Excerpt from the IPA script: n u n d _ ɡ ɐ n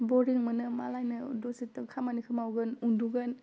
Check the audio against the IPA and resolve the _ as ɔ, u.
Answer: u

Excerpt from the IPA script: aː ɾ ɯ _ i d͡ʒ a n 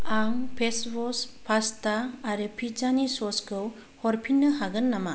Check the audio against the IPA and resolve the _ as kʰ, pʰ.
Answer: pʰ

